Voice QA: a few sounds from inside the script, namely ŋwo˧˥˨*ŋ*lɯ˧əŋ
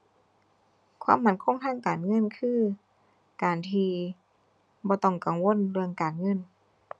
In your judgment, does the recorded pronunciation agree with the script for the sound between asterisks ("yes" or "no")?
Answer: no